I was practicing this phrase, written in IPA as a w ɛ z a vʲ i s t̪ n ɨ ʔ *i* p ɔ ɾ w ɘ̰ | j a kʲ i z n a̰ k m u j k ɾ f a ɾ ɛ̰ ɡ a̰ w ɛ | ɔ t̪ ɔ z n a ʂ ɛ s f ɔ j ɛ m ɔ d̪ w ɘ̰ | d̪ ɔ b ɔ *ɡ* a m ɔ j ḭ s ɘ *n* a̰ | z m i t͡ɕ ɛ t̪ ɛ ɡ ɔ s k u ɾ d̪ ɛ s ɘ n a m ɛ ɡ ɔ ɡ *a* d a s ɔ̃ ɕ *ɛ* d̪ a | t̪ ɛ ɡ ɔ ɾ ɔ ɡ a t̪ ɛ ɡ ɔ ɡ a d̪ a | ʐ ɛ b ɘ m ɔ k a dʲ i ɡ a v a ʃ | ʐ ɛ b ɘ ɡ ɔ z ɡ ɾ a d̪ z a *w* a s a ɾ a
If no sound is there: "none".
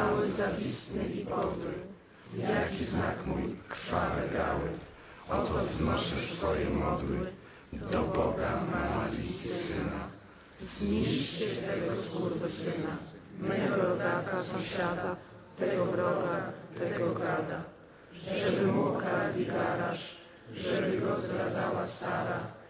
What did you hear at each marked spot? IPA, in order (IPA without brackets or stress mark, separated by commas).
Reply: i, ɡ, n, a, a, w